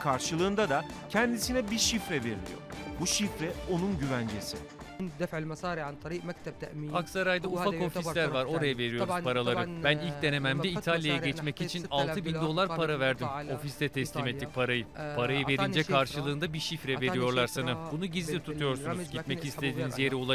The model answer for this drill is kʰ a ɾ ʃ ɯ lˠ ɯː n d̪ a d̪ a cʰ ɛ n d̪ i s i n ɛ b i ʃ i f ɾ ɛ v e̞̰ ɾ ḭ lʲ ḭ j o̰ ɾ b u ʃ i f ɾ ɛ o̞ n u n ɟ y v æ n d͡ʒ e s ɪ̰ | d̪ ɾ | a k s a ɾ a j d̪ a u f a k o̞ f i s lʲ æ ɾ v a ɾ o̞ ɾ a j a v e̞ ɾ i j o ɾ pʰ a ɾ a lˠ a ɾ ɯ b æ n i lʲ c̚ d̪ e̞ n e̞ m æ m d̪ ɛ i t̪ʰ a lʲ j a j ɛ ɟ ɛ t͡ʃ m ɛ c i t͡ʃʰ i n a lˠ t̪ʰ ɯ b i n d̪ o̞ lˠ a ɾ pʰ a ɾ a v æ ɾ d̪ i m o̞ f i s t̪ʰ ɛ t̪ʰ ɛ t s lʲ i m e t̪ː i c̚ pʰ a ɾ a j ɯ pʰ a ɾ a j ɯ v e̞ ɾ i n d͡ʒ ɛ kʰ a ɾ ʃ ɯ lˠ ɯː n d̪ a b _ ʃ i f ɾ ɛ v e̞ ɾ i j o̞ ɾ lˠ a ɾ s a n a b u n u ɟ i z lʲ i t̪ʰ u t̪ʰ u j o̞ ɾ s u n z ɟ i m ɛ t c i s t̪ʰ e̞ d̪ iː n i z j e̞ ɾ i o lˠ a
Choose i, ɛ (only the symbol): i